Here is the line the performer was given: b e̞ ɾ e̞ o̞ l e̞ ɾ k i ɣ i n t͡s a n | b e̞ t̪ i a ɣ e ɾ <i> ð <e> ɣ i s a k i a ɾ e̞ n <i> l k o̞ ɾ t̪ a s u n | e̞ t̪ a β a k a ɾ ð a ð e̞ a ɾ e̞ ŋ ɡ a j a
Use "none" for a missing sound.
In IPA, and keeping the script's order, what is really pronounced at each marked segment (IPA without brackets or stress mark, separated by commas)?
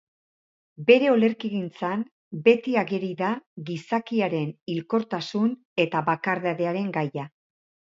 i, a, i